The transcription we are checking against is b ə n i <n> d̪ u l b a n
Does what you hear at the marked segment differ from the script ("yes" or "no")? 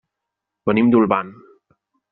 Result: yes